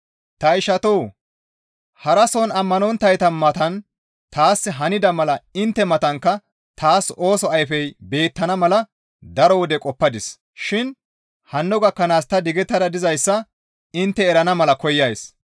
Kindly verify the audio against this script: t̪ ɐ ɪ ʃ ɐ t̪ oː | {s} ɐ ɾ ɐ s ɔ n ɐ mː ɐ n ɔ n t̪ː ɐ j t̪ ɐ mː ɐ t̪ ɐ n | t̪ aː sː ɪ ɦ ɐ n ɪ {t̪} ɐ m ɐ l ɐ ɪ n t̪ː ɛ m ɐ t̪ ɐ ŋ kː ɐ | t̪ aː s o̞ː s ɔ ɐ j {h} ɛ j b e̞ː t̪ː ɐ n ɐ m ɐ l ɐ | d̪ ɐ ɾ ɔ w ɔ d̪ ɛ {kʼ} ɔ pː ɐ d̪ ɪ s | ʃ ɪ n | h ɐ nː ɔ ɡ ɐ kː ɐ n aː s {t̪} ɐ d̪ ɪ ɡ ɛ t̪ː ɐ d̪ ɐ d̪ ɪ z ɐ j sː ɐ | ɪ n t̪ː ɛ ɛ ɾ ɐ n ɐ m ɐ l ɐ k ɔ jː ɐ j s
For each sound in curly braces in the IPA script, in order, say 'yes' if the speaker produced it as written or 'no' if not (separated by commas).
no, no, no, yes, yes